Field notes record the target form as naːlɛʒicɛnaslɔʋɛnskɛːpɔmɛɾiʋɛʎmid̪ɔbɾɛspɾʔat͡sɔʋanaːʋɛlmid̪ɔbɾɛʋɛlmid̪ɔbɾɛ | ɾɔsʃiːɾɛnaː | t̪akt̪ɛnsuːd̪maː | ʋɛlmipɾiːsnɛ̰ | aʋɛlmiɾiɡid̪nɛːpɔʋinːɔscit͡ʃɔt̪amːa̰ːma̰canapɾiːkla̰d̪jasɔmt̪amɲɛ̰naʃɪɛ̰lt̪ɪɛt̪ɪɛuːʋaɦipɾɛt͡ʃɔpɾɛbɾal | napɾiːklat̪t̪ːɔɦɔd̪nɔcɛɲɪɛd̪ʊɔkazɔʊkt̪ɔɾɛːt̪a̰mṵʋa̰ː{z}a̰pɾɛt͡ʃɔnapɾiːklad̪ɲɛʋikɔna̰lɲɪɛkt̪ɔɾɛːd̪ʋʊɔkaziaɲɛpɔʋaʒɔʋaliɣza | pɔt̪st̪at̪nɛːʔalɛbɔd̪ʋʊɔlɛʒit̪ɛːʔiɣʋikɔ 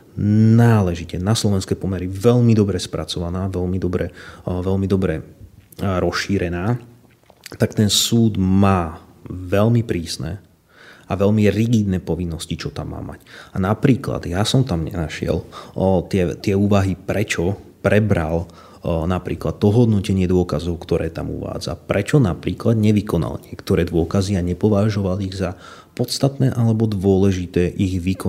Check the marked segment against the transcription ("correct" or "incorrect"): incorrect